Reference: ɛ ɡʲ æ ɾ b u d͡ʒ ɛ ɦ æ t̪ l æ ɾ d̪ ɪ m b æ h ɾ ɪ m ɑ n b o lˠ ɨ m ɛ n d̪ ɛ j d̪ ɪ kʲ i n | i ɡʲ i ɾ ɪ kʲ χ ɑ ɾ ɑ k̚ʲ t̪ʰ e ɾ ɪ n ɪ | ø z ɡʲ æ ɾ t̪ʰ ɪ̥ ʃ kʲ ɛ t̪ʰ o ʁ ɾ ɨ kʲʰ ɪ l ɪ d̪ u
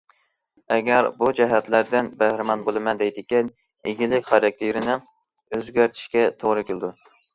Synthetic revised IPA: ɛ ɡʲ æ ɾ b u d͡ʒ ɛ ɦ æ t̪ l æ ɾ d̪ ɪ n b æ h ɾ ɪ m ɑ n b o lˠ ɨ m ɛ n d̪ ɛ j d̪ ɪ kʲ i n | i ɡʲ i l ɪ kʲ χ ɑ ɾ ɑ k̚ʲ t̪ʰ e ɾ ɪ n ɪ | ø z ɡʲ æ ɾ t̪ʰ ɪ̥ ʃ kʲ ɛ t̪ʰ o ʁ ɾ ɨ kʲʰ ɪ l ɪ d̪ u